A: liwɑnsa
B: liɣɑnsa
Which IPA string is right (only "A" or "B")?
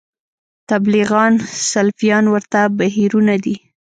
B